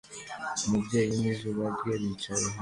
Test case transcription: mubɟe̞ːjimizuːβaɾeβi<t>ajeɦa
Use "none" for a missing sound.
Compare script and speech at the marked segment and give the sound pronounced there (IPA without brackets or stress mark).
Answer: t͡ʃ